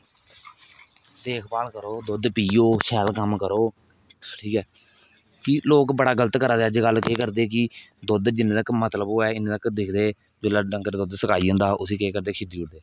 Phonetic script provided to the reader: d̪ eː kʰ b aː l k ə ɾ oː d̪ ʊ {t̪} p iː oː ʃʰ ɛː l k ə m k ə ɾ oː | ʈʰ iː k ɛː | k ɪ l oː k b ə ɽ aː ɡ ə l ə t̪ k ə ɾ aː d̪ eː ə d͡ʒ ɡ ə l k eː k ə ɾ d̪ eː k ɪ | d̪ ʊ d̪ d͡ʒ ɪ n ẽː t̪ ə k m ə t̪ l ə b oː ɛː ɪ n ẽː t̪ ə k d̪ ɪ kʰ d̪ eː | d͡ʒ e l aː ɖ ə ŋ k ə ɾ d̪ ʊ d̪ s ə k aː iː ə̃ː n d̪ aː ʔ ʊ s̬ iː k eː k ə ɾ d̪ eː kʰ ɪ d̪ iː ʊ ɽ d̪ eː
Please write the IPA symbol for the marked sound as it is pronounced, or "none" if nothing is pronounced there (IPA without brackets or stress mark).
d̪